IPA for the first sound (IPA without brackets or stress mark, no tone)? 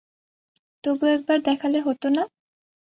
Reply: t̪